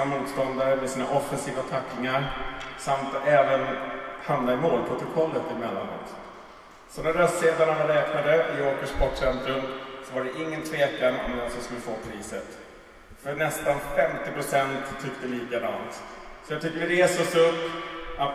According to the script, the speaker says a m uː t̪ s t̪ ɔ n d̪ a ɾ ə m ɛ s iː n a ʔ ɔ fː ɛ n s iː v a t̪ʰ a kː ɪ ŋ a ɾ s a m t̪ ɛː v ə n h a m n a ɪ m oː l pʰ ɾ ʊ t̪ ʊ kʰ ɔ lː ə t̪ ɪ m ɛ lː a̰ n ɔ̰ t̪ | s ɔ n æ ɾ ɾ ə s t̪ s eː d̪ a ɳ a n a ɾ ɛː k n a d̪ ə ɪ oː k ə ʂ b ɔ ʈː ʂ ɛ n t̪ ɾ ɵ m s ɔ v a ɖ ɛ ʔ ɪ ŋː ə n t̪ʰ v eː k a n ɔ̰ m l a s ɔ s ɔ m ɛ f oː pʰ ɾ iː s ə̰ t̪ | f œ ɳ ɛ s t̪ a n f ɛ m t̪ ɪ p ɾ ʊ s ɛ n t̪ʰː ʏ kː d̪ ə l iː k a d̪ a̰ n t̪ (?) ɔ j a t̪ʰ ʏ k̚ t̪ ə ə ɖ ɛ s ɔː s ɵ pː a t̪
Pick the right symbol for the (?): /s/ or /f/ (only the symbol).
s